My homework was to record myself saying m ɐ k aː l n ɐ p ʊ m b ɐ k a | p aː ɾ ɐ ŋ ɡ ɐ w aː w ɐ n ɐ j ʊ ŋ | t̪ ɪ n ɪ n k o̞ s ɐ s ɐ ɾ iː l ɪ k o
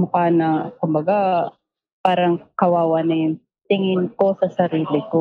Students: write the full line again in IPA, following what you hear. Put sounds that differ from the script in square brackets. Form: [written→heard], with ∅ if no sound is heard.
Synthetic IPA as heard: m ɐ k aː [l→∅] n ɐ [p→k] ʊ m b ɐ [k→ɡ] a | p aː ɾ ɐ ŋ [ɡ→k] ɐ w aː w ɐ n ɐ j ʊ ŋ | t̪ ɪ [n→ŋ] ɪ n k o̞ s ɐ s ɐ ɾ iː l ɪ k o